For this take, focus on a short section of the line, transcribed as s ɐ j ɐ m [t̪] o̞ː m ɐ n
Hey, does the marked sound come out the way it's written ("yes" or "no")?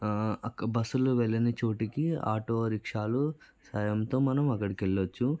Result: yes